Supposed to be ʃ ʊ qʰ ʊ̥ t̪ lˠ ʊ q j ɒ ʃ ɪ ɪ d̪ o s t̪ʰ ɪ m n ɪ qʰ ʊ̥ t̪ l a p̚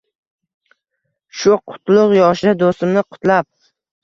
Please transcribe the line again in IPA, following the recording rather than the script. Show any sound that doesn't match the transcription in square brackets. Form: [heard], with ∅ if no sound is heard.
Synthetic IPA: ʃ ʊ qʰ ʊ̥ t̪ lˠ ʊ q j ɒ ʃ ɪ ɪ d̪ o s [t̪] ɪ m n ɪ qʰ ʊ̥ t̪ l a p̚